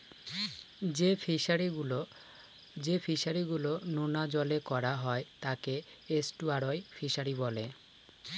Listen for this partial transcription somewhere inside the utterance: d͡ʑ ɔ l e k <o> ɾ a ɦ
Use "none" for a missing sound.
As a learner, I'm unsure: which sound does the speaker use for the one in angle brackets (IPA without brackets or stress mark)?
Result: ɔ